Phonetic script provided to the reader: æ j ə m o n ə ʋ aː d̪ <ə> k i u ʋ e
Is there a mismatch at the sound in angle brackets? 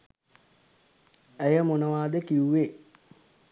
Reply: no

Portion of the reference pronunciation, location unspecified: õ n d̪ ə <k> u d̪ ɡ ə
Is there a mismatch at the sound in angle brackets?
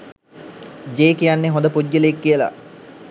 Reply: yes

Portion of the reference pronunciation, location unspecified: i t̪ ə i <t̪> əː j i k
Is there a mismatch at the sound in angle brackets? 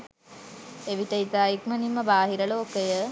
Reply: no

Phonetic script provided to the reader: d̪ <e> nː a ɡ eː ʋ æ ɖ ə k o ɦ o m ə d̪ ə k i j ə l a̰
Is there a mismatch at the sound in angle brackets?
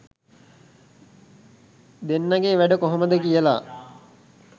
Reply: no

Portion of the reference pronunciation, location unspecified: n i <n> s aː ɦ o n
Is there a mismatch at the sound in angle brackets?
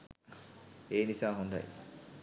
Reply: yes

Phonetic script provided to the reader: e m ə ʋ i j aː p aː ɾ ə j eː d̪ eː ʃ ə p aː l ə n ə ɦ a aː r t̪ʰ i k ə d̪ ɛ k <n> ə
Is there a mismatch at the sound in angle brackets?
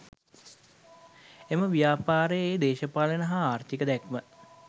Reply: yes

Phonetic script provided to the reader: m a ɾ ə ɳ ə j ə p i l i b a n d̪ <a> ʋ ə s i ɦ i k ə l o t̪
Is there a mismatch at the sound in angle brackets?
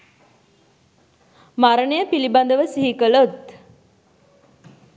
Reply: yes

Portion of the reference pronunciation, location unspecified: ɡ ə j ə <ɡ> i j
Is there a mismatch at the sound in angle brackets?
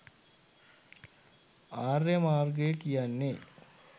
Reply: yes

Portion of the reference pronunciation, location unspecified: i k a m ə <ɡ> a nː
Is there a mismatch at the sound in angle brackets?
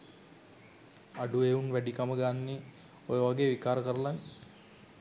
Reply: no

